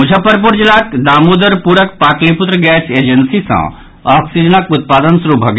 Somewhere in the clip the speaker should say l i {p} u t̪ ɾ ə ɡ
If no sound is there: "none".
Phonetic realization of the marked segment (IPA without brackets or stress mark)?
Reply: p